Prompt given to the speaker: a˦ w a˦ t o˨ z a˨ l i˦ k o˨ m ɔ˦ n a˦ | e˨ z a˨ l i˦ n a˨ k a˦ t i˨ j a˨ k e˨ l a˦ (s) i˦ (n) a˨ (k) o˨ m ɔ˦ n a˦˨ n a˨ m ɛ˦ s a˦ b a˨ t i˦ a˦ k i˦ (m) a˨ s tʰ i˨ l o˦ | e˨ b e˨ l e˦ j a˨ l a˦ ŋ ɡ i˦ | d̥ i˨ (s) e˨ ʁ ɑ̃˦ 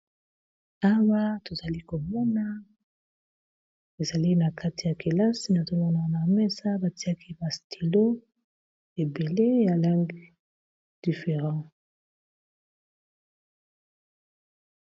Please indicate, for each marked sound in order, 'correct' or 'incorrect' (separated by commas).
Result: correct, correct, incorrect, incorrect, incorrect